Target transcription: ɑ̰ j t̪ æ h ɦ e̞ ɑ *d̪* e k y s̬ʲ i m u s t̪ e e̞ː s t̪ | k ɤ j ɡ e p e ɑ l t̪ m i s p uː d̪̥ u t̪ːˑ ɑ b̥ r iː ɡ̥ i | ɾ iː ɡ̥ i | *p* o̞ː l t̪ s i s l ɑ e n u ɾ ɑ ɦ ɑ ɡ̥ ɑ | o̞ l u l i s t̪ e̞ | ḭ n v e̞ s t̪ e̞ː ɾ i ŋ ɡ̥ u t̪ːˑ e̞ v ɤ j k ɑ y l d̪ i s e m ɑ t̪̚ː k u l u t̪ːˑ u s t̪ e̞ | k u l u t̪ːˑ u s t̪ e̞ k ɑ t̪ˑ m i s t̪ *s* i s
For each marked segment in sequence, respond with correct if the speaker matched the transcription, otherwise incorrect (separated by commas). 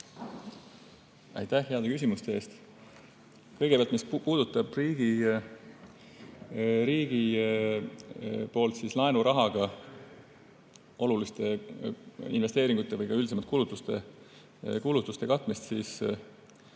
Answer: correct, correct, correct